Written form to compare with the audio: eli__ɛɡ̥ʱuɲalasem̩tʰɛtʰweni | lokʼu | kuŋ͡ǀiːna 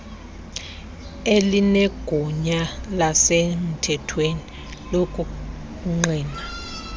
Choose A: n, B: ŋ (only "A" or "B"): A